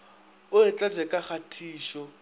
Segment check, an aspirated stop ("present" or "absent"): present